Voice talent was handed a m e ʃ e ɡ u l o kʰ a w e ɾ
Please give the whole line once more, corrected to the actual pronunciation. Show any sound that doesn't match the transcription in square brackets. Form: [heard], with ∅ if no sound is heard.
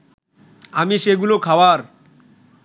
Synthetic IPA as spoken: a m [i] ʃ e ɡ u l o kʰ a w [a] ɾ